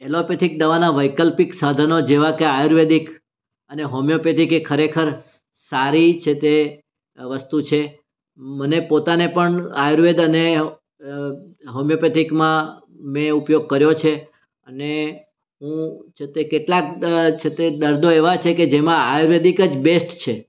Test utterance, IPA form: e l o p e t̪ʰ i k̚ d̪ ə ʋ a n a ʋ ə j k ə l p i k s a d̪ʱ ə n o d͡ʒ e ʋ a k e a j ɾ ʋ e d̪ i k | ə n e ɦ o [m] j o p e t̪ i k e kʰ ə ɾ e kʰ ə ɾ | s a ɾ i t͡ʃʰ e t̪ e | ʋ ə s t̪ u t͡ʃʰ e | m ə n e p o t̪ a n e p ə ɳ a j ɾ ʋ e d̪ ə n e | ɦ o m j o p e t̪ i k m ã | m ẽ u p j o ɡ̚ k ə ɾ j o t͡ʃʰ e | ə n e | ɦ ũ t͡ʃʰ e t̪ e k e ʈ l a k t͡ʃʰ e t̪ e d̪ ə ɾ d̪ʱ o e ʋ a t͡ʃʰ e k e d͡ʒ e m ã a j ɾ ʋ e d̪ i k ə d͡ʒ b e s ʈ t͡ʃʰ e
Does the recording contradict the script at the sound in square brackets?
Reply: no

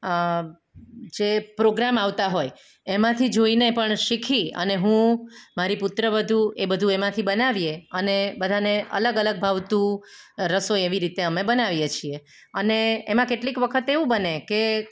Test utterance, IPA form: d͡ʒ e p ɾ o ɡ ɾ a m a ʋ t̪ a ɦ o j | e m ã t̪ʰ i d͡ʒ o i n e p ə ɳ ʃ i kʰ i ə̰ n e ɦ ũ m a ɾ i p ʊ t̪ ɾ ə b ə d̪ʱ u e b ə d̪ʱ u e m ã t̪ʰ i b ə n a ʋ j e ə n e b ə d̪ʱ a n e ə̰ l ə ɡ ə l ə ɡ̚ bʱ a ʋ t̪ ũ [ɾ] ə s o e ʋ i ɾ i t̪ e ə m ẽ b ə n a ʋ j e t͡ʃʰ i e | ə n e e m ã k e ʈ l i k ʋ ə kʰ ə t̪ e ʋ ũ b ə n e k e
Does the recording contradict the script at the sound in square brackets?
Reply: no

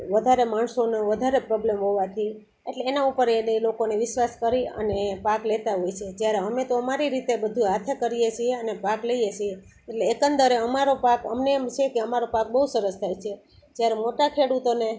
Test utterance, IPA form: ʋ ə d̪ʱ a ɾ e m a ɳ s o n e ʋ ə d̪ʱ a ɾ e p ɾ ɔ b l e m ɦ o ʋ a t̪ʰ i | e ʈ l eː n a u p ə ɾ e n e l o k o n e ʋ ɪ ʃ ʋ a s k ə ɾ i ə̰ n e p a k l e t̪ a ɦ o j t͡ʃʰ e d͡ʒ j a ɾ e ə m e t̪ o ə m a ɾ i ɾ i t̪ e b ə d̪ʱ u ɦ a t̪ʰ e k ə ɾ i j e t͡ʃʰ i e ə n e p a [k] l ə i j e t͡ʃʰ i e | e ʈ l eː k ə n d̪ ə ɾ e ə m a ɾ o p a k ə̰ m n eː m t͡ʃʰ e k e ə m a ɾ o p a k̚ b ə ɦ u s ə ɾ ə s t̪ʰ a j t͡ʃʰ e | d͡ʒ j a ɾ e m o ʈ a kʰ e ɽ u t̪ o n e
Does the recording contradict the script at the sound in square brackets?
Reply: no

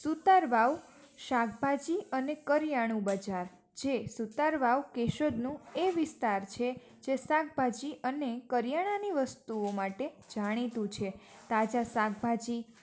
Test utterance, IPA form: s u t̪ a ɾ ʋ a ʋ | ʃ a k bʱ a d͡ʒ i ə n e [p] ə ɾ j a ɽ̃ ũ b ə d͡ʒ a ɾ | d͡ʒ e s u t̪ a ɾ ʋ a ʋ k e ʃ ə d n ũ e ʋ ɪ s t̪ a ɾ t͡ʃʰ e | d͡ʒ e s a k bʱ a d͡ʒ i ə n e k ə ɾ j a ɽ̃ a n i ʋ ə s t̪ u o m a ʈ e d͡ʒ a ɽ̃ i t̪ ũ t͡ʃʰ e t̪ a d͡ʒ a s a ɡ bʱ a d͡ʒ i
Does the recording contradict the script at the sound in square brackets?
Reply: yes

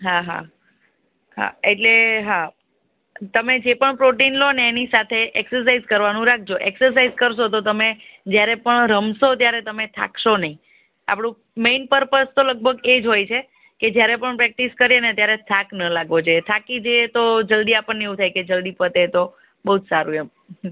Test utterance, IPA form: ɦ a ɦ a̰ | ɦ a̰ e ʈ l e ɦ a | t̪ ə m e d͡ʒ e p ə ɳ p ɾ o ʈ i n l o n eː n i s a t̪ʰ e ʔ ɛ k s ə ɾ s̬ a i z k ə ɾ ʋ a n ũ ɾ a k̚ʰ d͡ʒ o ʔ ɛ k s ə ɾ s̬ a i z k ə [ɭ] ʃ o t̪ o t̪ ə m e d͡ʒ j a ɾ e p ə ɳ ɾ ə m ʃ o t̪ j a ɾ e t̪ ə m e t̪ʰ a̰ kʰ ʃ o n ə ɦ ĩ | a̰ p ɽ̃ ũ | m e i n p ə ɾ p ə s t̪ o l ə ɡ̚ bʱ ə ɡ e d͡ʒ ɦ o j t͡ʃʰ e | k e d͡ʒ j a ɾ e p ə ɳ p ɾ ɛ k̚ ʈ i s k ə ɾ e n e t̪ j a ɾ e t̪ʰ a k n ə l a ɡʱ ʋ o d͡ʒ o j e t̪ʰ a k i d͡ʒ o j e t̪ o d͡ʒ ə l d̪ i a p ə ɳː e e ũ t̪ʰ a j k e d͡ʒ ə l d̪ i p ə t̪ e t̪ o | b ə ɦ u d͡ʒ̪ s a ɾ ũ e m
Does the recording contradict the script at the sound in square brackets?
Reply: yes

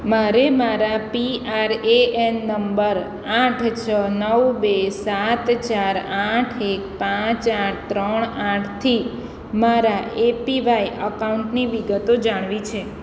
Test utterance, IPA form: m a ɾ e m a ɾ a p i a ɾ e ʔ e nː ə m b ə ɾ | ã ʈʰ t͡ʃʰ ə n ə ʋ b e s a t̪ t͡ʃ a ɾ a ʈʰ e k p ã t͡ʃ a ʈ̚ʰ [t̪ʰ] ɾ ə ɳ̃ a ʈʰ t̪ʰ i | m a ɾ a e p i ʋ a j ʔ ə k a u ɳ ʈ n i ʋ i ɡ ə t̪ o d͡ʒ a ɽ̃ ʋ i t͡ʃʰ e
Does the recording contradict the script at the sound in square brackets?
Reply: yes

